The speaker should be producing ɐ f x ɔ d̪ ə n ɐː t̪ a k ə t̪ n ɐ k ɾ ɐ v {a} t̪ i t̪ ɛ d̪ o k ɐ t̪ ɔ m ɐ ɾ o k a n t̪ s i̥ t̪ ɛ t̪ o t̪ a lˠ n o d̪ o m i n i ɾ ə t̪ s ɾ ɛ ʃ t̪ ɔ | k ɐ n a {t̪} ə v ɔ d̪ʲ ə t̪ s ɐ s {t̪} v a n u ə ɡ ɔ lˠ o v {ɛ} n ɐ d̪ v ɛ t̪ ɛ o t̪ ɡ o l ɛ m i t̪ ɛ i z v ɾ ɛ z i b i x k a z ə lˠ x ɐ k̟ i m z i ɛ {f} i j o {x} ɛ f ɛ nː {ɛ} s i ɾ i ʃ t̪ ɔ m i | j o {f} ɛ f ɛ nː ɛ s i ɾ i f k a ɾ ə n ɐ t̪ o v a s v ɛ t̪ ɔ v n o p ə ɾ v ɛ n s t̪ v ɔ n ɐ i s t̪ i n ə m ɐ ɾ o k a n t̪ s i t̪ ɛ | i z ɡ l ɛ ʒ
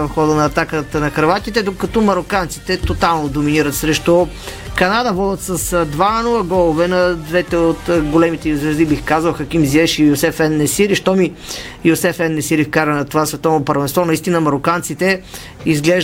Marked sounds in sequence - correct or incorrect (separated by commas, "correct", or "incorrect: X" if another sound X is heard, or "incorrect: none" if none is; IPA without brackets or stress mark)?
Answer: correct, incorrect: d̪, incorrect: d̪, correct, incorrect: ʃ, incorrect: s, correct, incorrect: s